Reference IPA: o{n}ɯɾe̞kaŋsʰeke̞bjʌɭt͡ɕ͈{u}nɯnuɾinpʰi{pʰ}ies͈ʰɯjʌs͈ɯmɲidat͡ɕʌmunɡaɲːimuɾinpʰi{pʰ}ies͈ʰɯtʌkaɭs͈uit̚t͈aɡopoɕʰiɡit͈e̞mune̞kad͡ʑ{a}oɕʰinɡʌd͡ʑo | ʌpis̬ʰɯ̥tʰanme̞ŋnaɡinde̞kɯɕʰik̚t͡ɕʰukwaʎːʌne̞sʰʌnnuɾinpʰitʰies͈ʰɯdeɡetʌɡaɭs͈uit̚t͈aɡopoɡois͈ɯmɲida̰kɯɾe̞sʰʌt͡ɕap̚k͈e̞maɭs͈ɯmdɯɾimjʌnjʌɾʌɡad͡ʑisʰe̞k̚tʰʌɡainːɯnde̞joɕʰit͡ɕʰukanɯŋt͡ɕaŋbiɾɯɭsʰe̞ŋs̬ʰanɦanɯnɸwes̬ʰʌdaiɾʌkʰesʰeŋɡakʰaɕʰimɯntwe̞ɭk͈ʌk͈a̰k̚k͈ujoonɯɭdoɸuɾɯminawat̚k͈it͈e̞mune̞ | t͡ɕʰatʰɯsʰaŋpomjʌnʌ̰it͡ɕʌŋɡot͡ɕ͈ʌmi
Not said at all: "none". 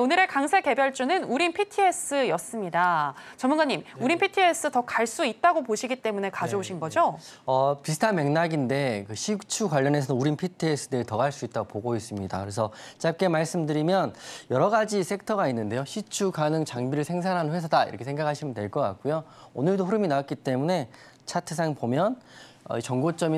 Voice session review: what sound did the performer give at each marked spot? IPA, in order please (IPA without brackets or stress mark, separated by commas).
n, u, tʰ, tʰ, ʌ